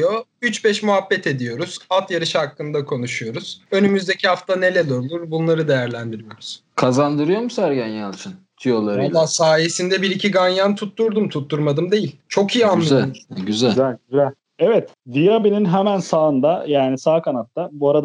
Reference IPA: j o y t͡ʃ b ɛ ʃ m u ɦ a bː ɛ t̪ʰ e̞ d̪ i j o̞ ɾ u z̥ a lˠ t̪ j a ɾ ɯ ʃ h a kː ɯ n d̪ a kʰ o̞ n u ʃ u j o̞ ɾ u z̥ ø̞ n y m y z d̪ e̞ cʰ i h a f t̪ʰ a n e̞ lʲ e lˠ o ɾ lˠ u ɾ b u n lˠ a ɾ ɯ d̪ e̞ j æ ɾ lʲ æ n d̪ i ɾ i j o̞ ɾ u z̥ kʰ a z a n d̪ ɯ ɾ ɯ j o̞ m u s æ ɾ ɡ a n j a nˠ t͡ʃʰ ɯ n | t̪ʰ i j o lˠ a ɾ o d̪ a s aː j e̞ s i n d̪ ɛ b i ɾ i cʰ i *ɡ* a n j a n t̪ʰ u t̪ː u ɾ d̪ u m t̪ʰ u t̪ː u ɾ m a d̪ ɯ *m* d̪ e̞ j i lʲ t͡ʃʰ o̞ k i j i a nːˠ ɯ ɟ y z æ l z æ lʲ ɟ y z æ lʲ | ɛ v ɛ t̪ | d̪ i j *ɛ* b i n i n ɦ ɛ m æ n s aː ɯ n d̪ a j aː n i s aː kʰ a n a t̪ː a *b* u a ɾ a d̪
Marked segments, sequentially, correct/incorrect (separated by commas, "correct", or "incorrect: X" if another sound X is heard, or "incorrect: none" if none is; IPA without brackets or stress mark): correct, correct, incorrect: a, correct